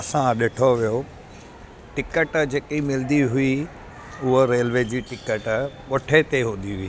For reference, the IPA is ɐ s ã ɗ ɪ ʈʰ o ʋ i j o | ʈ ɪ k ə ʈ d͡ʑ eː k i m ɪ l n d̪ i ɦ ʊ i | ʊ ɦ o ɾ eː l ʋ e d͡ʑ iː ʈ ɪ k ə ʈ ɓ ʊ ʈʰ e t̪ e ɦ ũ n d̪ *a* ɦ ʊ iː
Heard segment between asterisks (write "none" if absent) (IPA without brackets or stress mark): i